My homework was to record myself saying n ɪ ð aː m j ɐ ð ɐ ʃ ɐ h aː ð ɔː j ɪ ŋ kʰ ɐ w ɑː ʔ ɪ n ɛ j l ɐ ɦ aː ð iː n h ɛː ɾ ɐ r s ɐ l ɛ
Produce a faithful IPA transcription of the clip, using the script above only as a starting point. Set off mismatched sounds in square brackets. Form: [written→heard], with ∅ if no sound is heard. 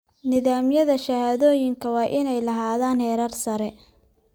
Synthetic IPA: n ɪ ð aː m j ɐ ð ɐ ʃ ɐ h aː ð ɔː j ɪ ŋ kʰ ɐ w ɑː ʔ ɪ n ɛ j l ɐ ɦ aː ð [iː→aː] n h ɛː ɾ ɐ r s ɐ [l→ɾ] ɛ